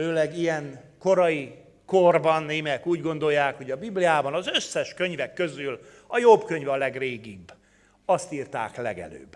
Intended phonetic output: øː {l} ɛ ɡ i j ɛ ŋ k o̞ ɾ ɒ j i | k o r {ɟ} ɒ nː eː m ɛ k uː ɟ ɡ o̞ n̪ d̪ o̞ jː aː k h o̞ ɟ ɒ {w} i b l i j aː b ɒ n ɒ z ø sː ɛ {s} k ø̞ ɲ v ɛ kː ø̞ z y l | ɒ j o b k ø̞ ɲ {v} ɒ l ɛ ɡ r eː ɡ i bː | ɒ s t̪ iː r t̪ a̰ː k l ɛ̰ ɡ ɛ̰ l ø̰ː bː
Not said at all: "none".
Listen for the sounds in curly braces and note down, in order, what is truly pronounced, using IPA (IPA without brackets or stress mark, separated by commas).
l, b, b, ʃ, v